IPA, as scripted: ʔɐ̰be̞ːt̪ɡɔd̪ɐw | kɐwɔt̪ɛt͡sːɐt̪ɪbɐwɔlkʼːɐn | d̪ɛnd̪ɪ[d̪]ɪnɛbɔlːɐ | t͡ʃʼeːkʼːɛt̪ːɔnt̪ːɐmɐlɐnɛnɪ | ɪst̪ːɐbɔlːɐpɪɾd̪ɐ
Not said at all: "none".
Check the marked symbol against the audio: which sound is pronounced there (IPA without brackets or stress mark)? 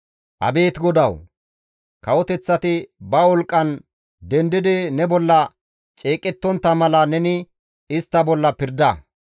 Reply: d̪